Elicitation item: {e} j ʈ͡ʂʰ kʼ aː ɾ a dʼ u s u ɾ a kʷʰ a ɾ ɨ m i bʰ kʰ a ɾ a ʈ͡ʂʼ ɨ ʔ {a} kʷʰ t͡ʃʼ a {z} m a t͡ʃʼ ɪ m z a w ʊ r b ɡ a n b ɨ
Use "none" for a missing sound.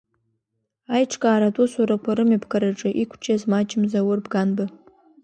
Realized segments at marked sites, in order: a, i, z

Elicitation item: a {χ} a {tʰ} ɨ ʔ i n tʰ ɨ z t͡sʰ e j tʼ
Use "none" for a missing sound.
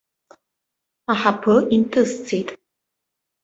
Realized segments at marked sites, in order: ħ, pʰ

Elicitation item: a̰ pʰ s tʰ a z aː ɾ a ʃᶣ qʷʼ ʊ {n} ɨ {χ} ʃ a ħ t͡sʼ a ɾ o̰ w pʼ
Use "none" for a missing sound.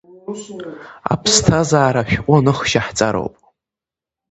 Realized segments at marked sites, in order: n, χ

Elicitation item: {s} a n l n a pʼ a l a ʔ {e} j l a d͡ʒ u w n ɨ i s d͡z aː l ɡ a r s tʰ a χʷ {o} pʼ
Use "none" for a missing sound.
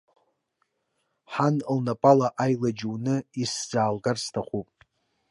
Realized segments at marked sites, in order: ħ, a, u

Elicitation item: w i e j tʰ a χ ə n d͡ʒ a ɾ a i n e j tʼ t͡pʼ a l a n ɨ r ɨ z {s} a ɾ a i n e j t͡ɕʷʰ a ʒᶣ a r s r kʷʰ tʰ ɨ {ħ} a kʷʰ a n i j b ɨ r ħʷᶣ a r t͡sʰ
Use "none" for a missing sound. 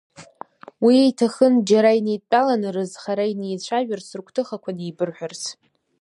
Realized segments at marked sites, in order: χ, χ

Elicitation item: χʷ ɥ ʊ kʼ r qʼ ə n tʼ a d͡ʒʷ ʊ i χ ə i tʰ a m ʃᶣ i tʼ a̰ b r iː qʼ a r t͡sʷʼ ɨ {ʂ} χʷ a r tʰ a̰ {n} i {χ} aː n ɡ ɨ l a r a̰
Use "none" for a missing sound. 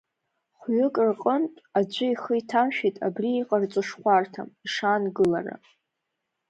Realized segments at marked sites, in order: ʂ, m, ʂ

